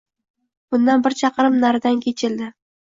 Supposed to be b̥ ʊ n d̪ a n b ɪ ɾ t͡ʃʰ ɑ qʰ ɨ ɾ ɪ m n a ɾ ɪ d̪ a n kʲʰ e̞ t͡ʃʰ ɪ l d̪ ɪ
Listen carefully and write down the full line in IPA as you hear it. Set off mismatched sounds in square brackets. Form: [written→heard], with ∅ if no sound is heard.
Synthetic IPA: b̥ ʊ n d̪ a n b ɪ ɾ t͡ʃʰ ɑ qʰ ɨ ɾ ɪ m n a ɾ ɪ d̪ a n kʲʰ e̞ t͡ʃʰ ɪ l d̪ ɪ